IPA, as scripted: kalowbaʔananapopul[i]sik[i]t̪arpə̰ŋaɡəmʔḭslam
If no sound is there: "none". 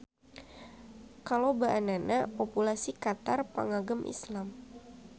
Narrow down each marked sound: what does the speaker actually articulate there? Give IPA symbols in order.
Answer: a, a

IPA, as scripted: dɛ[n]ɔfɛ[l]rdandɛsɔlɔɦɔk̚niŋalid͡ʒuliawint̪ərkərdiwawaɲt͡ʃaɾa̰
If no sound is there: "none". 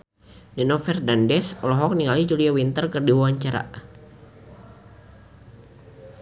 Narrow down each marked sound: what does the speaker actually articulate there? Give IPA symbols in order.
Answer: n, none

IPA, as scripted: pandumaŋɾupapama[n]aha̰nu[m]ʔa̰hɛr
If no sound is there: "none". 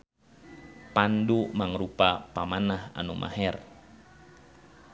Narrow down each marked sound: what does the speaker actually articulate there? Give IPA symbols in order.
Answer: n, m

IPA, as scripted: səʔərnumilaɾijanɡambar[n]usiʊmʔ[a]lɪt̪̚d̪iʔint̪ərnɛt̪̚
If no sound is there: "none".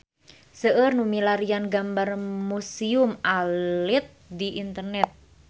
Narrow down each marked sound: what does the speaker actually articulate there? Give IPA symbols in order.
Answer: m, a

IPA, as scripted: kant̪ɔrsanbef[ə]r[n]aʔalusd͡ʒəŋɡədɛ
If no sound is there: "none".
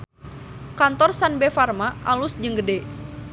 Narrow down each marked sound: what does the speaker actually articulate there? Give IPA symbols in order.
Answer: a, m

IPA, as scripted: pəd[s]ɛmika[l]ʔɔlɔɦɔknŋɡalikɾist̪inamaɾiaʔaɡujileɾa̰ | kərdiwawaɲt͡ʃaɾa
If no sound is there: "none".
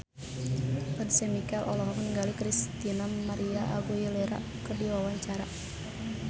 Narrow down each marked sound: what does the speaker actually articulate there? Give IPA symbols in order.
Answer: s, l

